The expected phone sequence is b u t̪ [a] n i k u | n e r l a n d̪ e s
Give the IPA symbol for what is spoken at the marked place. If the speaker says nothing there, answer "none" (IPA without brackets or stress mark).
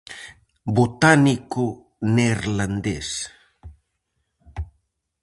a